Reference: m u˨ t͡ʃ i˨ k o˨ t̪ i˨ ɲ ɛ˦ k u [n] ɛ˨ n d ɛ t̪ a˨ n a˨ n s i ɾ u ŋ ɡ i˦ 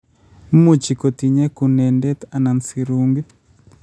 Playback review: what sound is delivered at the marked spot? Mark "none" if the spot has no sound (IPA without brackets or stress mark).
n